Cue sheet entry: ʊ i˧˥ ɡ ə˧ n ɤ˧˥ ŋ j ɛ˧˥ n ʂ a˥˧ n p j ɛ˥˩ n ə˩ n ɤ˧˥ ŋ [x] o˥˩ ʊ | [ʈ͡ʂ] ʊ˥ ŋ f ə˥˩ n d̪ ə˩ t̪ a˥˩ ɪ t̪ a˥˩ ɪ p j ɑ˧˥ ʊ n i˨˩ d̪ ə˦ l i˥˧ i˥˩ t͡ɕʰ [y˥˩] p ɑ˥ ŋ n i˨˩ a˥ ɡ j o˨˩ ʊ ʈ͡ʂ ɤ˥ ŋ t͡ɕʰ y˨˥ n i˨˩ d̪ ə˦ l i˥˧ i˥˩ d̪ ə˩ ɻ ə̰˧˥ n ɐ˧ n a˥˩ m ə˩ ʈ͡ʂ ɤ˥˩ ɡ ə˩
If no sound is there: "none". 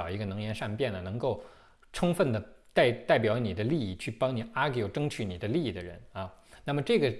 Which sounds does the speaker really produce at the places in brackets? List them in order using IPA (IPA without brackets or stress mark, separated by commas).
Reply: k, ʈ͡ʂʰ, y˥˩